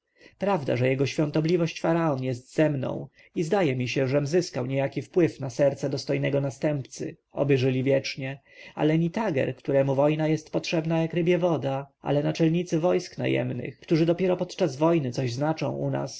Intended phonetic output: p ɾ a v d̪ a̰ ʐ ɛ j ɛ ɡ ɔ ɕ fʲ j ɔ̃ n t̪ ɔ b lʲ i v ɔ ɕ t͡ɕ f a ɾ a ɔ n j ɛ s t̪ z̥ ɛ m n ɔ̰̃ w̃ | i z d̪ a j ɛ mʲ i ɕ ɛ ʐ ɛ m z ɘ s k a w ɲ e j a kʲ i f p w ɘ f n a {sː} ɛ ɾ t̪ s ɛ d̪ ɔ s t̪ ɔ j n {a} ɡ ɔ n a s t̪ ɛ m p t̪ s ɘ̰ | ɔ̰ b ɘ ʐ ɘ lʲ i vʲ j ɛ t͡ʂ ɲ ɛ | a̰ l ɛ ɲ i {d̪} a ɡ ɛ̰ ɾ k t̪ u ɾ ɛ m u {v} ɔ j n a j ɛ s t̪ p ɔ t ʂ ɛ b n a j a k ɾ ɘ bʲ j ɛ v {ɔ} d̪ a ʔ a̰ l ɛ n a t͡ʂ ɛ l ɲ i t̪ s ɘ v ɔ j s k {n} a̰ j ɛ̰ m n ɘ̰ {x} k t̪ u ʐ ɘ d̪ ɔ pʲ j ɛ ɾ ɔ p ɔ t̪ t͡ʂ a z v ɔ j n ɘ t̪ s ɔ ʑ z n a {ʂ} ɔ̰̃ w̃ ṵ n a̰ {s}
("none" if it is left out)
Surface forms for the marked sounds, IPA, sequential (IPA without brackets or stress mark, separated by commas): s, ɛ, t̪, v, ɔ, n, x, t͡ʂ, s